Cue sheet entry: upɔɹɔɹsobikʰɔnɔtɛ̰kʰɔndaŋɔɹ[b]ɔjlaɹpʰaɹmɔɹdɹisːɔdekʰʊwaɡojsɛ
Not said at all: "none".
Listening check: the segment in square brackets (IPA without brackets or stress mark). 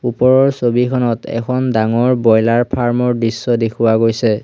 b